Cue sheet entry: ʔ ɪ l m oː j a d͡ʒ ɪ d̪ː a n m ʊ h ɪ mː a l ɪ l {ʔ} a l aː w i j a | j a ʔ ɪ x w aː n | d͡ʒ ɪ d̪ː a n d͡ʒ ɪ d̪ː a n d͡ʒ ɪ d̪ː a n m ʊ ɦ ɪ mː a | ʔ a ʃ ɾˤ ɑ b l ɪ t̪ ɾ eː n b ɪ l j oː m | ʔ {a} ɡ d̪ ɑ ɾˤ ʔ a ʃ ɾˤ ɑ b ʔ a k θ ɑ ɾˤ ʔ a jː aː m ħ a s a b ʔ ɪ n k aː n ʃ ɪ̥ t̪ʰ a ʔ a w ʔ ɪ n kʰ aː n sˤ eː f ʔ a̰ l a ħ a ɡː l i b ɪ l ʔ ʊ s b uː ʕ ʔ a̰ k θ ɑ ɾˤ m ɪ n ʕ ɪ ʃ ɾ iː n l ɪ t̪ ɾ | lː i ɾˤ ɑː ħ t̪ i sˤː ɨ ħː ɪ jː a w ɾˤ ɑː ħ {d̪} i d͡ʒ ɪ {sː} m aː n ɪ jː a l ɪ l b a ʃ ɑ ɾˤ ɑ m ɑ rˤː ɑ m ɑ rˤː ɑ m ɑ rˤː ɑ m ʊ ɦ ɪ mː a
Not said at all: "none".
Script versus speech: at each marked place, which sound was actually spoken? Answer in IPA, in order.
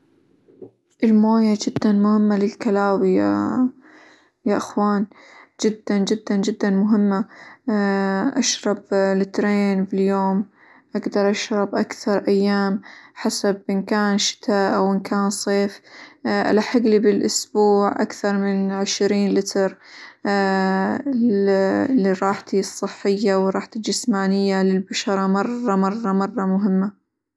k, a, t̪, s

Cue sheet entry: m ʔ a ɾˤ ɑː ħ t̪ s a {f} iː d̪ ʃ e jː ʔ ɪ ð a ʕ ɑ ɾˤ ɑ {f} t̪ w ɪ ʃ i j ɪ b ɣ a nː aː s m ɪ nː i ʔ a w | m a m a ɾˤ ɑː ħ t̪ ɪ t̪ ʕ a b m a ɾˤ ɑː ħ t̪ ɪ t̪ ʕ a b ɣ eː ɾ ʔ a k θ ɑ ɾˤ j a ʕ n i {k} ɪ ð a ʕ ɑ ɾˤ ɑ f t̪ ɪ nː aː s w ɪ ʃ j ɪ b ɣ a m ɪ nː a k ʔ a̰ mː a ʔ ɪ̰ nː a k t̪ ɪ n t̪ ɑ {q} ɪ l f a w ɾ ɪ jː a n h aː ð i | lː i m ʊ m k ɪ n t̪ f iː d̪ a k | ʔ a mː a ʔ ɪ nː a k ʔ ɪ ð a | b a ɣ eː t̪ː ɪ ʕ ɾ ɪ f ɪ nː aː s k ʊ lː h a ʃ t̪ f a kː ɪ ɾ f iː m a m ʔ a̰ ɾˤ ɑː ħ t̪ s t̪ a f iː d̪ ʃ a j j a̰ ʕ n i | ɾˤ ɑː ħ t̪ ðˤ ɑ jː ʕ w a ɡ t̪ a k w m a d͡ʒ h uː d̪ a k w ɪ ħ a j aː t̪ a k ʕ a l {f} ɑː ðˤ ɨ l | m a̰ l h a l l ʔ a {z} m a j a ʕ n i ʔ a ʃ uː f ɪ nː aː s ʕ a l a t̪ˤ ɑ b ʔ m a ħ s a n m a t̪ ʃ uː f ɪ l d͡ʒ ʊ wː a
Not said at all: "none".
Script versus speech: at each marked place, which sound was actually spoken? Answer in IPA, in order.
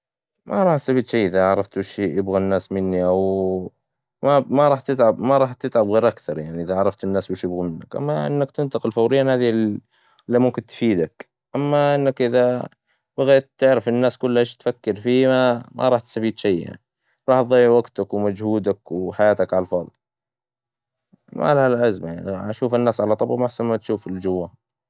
f, f, ʔ, q, f, z

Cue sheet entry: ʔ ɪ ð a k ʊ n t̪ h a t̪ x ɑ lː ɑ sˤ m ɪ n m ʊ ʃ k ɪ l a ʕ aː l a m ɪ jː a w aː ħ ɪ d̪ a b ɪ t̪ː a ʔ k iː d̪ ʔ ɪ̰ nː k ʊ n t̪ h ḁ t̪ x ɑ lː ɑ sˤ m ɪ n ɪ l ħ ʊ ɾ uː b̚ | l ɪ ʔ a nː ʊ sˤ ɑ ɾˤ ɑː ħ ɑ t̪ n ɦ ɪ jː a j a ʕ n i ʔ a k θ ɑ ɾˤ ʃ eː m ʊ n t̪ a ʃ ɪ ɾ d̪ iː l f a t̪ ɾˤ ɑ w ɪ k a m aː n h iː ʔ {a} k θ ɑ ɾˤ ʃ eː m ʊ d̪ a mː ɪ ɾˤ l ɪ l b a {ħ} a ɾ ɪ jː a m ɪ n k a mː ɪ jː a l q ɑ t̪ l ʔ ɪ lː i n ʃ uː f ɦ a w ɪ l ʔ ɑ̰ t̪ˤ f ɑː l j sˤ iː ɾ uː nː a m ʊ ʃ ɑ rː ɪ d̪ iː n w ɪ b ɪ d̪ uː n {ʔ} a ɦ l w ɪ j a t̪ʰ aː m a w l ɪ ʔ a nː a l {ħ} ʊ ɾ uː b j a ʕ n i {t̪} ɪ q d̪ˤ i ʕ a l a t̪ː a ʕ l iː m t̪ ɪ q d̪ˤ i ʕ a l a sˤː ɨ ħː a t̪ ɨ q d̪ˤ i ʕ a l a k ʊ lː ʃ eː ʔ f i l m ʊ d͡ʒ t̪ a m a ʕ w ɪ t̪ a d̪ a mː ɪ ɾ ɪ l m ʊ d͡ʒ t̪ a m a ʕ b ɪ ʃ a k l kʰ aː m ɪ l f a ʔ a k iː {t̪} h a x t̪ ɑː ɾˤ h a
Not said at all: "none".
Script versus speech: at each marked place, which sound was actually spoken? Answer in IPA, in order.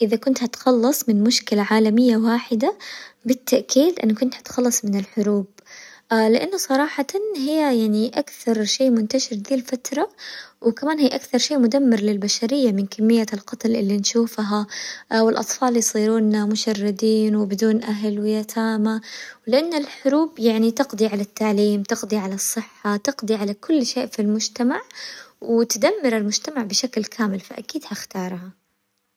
a, ʃ, ʔ, ħ, t̪, d̪

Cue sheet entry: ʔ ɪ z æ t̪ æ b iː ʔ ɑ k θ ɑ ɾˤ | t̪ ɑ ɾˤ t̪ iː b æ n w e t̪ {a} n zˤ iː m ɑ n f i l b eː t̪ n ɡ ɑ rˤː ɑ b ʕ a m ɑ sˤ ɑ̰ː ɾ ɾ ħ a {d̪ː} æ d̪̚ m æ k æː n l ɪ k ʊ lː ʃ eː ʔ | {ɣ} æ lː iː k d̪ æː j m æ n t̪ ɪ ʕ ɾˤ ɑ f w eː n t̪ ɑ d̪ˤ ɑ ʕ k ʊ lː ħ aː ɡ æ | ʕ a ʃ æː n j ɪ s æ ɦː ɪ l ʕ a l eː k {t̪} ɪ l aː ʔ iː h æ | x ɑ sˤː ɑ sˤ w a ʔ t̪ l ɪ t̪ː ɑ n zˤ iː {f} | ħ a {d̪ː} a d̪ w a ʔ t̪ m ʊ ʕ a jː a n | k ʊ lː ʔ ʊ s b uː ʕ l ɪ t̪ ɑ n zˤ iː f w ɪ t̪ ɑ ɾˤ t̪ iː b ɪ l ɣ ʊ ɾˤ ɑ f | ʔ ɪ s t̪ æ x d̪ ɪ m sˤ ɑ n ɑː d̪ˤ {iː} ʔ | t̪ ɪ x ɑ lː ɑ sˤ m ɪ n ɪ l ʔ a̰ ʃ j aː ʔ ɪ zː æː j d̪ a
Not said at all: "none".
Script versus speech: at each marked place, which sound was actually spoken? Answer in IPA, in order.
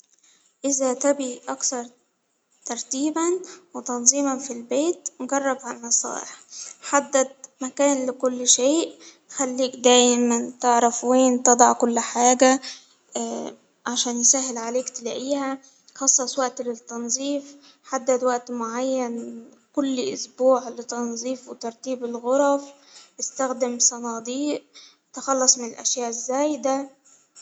ɑ, d̪ː, x, t̪, f, d̪ː, iː

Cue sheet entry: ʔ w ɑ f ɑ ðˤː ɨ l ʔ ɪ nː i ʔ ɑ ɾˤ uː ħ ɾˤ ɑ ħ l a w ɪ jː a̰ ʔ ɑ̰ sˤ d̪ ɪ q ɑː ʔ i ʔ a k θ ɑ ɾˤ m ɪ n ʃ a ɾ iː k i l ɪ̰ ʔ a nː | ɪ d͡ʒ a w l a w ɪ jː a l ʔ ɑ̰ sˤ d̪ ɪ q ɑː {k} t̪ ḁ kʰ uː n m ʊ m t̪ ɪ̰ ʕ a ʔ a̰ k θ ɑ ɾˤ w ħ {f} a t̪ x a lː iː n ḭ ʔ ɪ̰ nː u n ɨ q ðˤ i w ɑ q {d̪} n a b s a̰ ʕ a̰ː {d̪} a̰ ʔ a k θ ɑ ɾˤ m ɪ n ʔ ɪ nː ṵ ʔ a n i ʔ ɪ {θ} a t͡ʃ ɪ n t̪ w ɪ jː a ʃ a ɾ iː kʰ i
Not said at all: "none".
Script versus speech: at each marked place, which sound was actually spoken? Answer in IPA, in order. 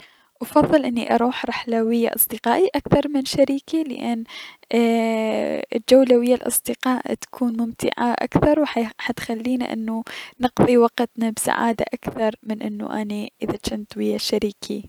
ʔ, ħ, t̪, d̪, ð

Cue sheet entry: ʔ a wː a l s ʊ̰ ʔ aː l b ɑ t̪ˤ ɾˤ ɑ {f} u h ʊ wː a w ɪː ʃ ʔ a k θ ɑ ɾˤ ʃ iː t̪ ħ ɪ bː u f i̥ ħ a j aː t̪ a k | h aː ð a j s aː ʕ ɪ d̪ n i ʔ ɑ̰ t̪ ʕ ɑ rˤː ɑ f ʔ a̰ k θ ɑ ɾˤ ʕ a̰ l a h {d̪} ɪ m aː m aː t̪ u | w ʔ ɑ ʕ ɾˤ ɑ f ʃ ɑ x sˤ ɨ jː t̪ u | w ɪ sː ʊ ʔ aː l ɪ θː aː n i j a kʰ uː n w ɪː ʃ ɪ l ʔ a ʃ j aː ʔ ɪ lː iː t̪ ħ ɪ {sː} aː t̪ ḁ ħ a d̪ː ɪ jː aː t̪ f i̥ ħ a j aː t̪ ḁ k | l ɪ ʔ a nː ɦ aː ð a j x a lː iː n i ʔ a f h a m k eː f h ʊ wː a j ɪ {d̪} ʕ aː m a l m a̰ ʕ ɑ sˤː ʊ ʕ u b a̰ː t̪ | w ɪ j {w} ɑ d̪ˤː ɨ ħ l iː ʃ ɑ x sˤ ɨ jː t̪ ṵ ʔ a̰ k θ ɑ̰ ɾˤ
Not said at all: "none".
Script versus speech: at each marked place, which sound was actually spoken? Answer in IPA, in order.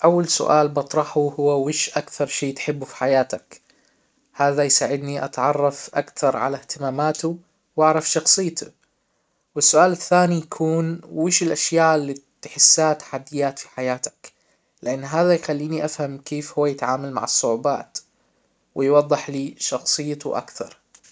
ħ, t̪, sː, t̪, w

